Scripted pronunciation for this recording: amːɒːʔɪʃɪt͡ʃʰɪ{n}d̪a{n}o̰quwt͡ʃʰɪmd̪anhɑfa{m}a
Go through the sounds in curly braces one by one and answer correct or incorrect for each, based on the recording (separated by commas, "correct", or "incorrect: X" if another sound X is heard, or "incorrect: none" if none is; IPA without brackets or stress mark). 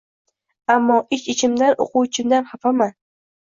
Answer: incorrect: m, correct, correct